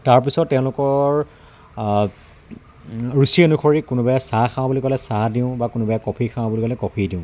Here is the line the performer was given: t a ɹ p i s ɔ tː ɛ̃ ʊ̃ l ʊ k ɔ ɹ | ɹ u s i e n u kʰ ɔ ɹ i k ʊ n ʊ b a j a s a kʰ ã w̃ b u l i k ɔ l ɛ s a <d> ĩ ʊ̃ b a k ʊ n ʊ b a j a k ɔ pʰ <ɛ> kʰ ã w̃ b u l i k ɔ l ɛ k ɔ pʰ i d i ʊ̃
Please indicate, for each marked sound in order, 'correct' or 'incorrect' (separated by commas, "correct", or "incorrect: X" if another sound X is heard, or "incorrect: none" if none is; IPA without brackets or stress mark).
correct, incorrect: i